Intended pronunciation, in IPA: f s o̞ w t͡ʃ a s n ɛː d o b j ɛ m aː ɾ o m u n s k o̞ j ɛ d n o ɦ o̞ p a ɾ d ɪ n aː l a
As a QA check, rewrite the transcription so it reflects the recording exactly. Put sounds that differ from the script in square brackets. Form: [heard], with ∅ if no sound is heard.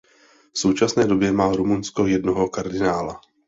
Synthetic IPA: f s o̞ w t͡ʃ a s n ɛː d o b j ɛ m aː ɾ [u] m u n s k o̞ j ɛ d n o ɦ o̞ [k] a ɾ d ɪ n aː l a